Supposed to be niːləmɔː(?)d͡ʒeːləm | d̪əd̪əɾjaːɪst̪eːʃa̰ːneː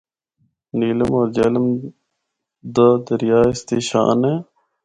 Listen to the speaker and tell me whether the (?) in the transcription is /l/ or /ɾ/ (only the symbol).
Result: ɾ